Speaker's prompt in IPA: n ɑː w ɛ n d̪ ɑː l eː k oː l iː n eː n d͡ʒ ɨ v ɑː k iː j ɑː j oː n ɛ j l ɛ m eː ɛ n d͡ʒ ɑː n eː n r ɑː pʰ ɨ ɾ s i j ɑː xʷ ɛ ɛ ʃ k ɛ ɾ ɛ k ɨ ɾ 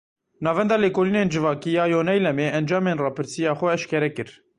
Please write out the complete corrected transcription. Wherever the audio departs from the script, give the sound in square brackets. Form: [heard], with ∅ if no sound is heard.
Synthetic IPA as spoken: n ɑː [v] ɛ n d̪ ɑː l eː k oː l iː n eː n d͡ʒ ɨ v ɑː k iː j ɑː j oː n ɛ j l ɛ m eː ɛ n d͡ʒ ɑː [m] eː n r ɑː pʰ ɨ ɾ s i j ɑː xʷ ɛ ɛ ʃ k ɛ ɾ ɛ k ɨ ɾ